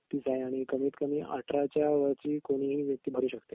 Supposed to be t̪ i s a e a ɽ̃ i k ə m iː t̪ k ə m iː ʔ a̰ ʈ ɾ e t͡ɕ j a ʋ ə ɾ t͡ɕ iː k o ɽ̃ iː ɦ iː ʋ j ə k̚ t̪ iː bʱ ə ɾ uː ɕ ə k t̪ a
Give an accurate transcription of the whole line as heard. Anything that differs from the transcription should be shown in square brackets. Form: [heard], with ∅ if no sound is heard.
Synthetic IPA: t̪ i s a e a ɽ̃ i k ə m iː t̪ k ə m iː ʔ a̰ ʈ ɾ [a] t͡ɕ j a ʋ ə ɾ t͡ɕ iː k o ɽ̃ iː ɦ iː ʋ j ə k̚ t̪ iː bʱ ə ɾ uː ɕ ə k t̪ [e]